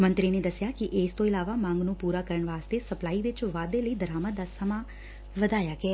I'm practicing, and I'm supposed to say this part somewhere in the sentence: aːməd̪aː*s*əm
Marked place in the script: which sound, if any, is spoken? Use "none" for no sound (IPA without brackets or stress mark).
s